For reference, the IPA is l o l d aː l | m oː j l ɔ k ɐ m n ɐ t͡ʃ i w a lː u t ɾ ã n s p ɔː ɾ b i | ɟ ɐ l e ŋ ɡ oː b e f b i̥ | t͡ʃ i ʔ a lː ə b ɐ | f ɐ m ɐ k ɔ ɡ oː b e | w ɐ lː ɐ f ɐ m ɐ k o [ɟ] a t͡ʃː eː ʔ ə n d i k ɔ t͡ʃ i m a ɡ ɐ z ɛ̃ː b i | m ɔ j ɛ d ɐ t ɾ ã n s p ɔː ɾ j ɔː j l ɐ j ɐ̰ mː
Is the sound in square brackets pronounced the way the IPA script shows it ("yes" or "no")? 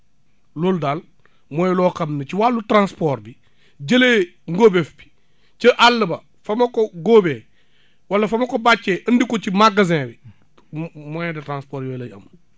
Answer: no